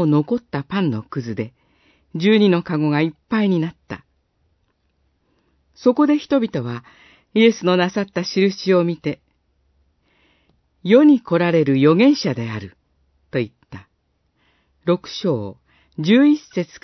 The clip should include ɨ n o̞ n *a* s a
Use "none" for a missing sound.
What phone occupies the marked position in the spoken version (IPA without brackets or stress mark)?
a